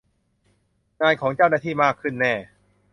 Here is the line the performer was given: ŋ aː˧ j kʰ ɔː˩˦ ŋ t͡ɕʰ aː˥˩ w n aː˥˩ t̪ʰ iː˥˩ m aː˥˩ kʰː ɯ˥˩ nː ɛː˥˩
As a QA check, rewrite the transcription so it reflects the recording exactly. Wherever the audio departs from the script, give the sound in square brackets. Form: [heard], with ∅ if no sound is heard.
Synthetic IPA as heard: ŋ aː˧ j kʰ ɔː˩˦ ŋ [t͡ɕ] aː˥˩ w n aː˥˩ t̪ʰ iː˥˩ m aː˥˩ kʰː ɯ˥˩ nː ɛː˥˩